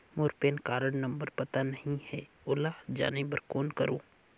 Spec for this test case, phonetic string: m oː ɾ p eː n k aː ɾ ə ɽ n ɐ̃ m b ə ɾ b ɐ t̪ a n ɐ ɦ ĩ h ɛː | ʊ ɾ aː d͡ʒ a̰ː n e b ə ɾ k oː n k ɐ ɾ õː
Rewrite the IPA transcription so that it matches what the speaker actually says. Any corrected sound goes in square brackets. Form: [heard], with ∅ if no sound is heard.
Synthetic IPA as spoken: m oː ɾ p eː n k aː ɾ ə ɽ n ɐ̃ m b ə ɾ [p] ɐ t̪ a n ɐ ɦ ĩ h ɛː | ʊ [l] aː d͡ʒ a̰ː n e b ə ɾ k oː n k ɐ ɾ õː